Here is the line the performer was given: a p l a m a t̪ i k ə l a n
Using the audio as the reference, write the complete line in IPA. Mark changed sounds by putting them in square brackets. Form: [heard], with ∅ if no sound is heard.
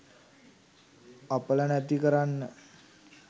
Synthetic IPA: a p l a [n] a t̪ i k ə [ɾ] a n

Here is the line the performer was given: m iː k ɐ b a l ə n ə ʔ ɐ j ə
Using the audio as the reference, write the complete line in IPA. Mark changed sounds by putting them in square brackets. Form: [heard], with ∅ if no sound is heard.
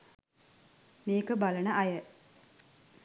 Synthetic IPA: m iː k [ə] b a l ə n ə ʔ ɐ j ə

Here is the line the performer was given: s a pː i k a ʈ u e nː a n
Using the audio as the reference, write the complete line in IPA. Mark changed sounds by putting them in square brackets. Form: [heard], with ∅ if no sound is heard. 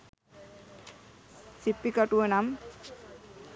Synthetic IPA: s [i] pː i k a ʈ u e [n] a [m]

